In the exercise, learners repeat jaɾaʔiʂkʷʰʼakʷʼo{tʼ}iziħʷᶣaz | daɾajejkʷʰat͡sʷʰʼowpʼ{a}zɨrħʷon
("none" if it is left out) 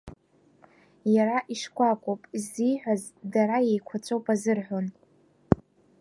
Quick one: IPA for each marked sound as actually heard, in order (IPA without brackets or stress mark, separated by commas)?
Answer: pʼ, a